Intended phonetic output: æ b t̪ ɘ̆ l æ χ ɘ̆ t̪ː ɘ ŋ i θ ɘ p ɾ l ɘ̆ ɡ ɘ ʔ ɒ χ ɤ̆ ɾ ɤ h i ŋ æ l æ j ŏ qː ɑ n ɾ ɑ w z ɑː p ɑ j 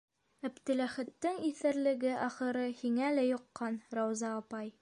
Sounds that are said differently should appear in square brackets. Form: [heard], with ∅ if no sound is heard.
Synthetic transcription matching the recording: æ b t̪ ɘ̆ l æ χ ɘ̆ t̪ː ɘ ŋ i θ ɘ [∅] ɾ l ɘ̆ ɡ ɘ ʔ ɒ χ ɤ̆ ɾ ɤ h i ŋ æ l æ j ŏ qː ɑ n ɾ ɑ w z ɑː p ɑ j